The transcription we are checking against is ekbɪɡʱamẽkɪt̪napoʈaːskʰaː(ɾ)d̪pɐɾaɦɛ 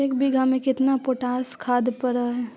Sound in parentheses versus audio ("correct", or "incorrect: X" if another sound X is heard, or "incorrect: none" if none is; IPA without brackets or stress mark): incorrect: none